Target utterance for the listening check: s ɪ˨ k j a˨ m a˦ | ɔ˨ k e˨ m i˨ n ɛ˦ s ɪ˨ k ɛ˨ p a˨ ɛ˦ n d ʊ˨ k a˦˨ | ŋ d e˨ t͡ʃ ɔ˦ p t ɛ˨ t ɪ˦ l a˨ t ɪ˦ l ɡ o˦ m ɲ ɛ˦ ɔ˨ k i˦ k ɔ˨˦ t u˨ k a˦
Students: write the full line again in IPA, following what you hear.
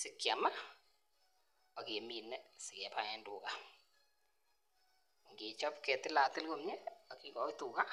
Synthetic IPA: s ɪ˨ k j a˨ m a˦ | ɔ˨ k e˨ m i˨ n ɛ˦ s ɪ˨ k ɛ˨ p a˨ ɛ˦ n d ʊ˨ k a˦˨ | ŋ ɡ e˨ t͡ʃ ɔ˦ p k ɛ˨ t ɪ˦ l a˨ t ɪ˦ l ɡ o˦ m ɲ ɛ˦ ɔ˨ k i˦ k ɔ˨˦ t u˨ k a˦